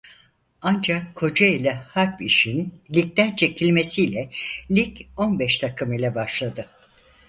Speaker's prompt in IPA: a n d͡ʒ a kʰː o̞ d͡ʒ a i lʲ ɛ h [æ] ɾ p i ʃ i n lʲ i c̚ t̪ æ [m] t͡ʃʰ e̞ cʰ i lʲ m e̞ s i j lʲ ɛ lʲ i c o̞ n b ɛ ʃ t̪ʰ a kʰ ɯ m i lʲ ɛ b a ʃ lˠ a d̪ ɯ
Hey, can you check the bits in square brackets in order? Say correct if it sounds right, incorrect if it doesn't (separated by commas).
incorrect, incorrect